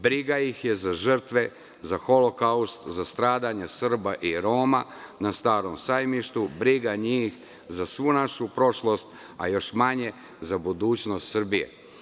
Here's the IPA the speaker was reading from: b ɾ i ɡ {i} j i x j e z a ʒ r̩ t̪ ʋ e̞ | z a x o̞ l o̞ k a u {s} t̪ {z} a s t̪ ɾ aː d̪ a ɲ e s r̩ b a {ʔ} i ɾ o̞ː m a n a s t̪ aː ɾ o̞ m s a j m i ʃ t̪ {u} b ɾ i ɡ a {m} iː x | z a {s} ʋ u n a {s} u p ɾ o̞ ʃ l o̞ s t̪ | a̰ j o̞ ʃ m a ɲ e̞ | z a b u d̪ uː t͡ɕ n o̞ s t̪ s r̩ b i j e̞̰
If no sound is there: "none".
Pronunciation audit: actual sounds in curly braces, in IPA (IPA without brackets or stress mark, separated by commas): a, s, z, ʔ, u, ɲ, s, ʃ